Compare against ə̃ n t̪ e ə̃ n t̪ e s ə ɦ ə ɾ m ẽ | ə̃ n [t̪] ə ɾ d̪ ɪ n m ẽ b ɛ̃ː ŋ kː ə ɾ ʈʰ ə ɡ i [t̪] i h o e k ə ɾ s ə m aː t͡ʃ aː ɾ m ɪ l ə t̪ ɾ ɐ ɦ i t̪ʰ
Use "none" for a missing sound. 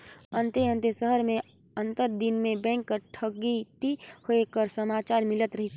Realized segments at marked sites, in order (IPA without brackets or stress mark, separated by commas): t̪, t̪